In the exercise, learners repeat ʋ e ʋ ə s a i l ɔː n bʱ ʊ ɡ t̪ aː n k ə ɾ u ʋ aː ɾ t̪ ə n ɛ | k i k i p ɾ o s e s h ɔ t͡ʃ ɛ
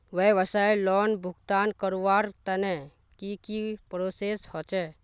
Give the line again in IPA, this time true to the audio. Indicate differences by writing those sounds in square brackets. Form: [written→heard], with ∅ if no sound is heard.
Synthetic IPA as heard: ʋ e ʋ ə s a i l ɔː n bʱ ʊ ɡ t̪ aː n k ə ɾ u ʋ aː ɾ t̪ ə n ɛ | k i k i p ɾ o s e s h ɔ t͡ʃ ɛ